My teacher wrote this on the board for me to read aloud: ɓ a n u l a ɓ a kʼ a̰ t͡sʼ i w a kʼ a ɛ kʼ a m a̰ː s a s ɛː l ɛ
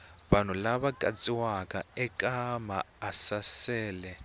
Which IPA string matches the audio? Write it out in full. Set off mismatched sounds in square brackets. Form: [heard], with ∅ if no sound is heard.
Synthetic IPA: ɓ a n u l a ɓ a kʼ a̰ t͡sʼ i w a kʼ a ɛ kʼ a m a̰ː s a s ɛː l ɛ